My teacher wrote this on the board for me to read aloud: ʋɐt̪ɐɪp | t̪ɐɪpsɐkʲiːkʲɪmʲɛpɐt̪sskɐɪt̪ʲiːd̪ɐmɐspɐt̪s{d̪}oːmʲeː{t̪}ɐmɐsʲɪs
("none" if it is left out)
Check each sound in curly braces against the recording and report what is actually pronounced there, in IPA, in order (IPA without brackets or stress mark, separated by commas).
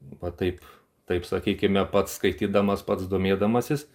d̪, d̪